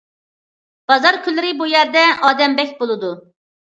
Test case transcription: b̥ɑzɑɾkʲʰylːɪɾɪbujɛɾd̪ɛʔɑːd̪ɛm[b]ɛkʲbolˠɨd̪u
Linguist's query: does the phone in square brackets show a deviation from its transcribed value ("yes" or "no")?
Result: no